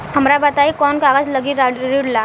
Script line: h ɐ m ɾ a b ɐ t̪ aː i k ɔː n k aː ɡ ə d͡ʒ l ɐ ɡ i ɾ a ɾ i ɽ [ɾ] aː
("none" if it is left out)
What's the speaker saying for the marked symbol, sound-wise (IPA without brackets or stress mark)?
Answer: l